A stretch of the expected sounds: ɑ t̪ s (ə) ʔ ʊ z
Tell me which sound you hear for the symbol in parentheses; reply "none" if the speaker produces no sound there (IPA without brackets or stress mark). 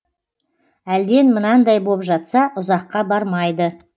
ɑ